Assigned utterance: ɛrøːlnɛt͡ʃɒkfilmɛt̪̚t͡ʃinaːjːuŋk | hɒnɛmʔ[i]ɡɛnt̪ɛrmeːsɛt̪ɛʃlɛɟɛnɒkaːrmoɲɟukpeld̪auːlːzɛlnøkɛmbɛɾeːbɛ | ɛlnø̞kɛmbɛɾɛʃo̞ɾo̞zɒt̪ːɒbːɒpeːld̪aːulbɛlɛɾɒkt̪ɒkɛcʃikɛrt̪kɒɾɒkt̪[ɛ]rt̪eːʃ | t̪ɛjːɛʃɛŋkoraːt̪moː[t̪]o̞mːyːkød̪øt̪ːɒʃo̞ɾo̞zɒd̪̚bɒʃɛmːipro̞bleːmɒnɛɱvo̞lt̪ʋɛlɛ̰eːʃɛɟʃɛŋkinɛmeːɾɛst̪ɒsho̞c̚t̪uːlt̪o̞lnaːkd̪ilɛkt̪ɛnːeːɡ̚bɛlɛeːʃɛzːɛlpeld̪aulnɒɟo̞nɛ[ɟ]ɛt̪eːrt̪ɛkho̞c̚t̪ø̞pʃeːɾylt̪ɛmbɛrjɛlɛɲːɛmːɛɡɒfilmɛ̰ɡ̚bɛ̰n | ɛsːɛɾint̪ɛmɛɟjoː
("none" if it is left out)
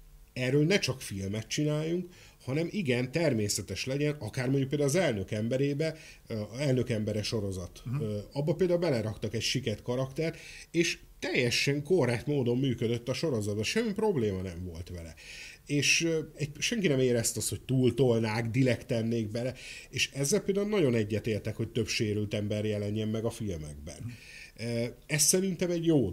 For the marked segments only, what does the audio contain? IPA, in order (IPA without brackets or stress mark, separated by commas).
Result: i, ɛ, d̪, ɟː